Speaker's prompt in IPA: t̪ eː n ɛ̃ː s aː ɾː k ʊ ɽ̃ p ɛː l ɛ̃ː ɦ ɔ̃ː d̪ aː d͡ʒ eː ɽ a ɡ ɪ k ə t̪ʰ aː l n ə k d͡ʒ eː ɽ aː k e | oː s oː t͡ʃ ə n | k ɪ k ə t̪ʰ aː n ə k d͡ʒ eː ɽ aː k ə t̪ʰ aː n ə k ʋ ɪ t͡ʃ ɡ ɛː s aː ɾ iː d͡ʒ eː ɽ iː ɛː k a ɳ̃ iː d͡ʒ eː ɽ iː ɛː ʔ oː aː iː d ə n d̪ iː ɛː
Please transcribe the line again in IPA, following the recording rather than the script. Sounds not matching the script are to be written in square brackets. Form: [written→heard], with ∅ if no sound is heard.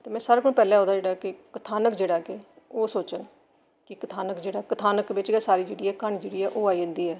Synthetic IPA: t̪ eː [n→m] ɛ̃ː s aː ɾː k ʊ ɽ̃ p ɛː l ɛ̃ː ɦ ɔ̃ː d̪ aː d͡ʒ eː ɽ a [ɡ→k] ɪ k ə t̪ʰ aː [l→∅] n ə k d͡ʒ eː ɽ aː k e | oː s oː t͡ʃ ə n | k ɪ k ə t̪ʰ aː n ə k d͡ʒ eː ɽ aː k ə t̪ʰ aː n ə k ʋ ɪ t͡ʃ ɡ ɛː s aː ɾ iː d͡ʒ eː ɽ iː ɛː k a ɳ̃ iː d͡ʒ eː ɽ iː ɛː ʔ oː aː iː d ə n d̪ iː ɛː